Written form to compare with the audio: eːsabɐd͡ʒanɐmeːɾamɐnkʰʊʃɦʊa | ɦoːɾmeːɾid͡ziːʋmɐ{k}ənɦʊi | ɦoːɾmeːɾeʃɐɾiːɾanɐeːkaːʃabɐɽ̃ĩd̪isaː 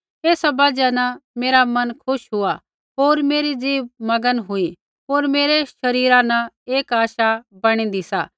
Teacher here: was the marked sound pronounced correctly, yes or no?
no